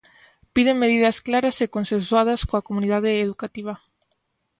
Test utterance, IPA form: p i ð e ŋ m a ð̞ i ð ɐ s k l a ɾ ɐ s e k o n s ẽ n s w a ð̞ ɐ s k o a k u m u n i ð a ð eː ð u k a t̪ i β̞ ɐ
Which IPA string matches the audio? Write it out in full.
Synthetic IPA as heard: p i ð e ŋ m e ð̞ i ð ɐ s k l a ɾ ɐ s e k o n s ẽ n s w a ð̞ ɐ s k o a k o m u n i ð a ð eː ð u k a t̪ i β̞ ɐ

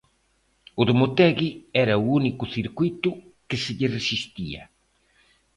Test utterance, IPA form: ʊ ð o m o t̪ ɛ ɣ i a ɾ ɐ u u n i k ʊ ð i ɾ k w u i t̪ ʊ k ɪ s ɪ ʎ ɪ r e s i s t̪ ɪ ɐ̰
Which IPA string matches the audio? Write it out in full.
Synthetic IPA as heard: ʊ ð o m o t̪ ɛ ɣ i ɛ ɾ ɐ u u n i k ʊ θ i ɾ k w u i t̪ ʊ k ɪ s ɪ ʎ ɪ r e s i s t̪ i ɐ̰

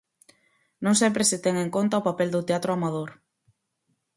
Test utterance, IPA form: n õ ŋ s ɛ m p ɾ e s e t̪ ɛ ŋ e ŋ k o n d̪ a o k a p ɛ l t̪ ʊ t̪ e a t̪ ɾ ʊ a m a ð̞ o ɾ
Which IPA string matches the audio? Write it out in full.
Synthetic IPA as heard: n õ ŋ s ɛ m p ɾ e s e t̪ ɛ ŋ e ŋ k o n t̪ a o p a p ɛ l d̪ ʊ t̪ e a t̪ ɾ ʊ a m a ð̞ o ɾ

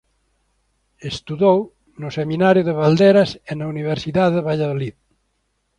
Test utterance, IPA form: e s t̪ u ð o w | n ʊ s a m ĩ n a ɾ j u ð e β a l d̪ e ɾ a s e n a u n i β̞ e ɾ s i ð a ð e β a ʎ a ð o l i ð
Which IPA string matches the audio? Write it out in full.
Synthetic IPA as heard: e s t̪ u ð o w | n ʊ s e m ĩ n a ɾ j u ð e β a l d̪ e ɾ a s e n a u n i β̞ e ɾ s i ð a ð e β a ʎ a ð o l i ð

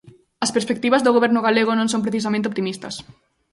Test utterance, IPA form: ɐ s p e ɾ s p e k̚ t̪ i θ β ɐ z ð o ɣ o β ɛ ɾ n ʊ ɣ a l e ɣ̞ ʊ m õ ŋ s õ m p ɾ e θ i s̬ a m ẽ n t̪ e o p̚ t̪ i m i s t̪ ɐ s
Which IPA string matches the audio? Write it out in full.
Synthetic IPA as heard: ɐ s p e ɾ s p e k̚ t̪ i β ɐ z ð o ɣ o β ɛ ɾ n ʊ ɣ a l e ɣ̞ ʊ n õ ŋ s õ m p ɾ e θ i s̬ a m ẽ n t̪ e o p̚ t̪ i m i s t̪ ɐ s

